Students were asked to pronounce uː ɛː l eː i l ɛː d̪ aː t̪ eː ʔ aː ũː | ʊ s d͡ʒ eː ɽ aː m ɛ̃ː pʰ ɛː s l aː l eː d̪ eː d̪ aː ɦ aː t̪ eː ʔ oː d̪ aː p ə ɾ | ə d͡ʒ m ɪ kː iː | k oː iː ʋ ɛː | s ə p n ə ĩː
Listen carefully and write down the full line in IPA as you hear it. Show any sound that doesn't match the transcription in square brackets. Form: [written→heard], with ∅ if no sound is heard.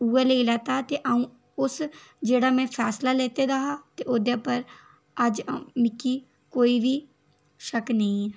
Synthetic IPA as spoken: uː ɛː l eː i l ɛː [d̪→t̪] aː t̪ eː ʔ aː ũː | ʊ s d͡ʒ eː ɽ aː m ɛ̃ː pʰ ɛː s l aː l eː [d̪→t̪] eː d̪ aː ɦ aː t̪ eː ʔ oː d̪ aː p ə ɾ | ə d͡ʒ m ɪ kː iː | k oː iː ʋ [ɛː→iː] | [s→ʃ] ə [p→k] n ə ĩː

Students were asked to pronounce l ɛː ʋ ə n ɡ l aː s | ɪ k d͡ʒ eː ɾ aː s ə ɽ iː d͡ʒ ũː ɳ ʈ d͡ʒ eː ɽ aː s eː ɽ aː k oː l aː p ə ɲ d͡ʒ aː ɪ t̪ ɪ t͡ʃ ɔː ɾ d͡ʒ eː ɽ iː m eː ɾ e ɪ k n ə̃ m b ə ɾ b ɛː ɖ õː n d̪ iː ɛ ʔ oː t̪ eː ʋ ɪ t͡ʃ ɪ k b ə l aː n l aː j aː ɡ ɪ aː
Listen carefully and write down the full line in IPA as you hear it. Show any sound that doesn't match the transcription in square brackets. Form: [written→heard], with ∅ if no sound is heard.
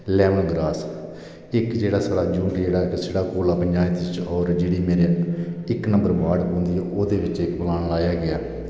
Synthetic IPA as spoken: l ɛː ʋ ə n ɡ [l→ɾ] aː s | ɪ k d͡ʒ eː [ɾ→ɽ] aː s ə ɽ [iː→aː] d͡ʒ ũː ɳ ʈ d͡ʒ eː ɽ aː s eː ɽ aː k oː l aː p ə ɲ d͡ʒ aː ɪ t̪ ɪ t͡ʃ ɔː ɾ d͡ʒ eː ɽ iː m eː ɾ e ɪ k n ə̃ m b ə ɾ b [ɛː→aː] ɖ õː n d̪ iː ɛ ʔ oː [t̪→d̪] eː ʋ ɪ t͡ʃ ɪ k b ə l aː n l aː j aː ɡ ɪ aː

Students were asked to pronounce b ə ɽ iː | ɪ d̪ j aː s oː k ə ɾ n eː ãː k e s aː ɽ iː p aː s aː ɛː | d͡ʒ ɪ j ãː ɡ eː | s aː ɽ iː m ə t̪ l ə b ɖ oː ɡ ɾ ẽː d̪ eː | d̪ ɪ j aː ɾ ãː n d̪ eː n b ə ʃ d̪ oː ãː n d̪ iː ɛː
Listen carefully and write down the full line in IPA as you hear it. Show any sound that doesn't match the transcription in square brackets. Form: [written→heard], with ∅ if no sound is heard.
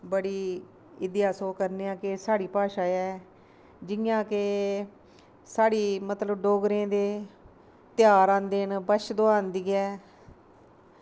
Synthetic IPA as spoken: b ə ɽ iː | ɪ d̪ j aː s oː k ə ɾ n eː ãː k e s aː ɽ iː p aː [s→ʃ] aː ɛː | d͡ʒ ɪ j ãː [ɡ→k] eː | s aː ɽ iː m ə t̪ l ə b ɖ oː ɡ ɾ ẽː d̪ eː | [d̪→t̪] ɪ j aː ɾ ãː n d̪ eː n b ə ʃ d̪ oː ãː n d̪ iː ɛː

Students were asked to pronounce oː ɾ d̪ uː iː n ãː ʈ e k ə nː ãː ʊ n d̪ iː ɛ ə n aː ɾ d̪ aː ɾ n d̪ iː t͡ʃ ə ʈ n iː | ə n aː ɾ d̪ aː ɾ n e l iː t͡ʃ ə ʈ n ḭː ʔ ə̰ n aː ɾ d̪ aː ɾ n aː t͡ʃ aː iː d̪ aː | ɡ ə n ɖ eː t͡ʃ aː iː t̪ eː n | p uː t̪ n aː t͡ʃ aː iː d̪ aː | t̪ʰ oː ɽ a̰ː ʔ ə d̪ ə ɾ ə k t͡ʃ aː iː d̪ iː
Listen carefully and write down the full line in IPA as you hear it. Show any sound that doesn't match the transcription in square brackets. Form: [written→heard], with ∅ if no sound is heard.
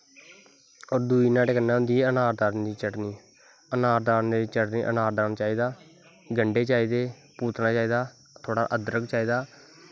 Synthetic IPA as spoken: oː ɾ d̪ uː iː n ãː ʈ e k ə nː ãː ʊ n d̪ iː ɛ ə n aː ɾ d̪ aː ɾ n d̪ iː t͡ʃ ə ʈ n iː | ə n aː ɾ d̪ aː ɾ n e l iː t͡ʃ ə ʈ n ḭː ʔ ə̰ n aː ɾ d̪ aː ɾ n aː t͡ʃ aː iː d̪ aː | ɡ ə [n→ɳ] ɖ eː t͡ʃ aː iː [t̪→d̪] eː [n→∅] | p uː t̪ n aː t͡ʃ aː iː d̪ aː | t̪ʰ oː ɽ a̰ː ʔ ə d̪ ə ɾ ə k t͡ʃ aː iː d̪ [iː→aː]

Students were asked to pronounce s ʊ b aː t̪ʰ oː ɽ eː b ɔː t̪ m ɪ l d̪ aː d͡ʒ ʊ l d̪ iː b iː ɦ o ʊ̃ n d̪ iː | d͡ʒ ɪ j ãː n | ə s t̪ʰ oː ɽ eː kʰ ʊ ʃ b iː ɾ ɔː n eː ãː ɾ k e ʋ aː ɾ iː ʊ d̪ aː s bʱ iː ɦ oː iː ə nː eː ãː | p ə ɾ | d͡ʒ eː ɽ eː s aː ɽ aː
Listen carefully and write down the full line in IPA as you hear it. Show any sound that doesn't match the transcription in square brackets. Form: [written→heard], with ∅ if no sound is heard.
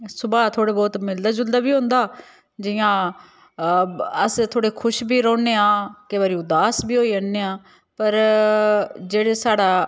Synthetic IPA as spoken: s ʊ b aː t̪ʰ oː ɽ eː b ɔː t̪ m ɪ l d̪ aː d͡ʒ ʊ l d̪ [iː→aː] b iː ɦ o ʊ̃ n d̪ [iː→aː] | d͡ʒ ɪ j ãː [n→∅] | ə s t̪ʰ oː ɽ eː kʰ ʊ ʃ b iː ɾ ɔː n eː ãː [ɾ→∅] k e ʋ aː ɾ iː ʊ d̪ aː s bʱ iː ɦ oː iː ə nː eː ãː | p ə ɾ | d͡ʒ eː ɽ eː s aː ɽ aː

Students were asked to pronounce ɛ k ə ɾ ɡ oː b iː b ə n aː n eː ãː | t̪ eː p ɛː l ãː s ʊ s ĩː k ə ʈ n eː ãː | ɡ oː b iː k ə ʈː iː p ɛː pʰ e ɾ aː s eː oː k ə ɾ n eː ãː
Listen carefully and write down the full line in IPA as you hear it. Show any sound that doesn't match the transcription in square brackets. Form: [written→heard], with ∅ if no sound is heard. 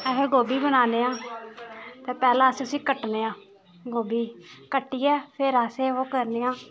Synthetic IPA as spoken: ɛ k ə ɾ ɡ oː b iː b ə n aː n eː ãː | t̪ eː p ɛː l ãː s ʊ s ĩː k ə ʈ n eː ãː | ɡ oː b iː k ə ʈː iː [p→∅] ɛː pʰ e ɾ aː s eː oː k ə ɾ n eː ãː

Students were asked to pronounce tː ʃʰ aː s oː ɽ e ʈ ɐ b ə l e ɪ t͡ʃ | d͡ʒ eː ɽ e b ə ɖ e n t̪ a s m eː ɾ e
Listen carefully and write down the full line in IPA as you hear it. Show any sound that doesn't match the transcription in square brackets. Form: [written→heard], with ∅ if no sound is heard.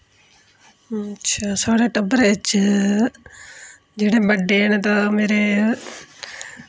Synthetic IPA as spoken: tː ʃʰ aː s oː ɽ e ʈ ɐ b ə [l→ɾ] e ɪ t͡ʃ | d͡ʒ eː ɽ e b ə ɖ e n t̪ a [s→∅] m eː ɾ e

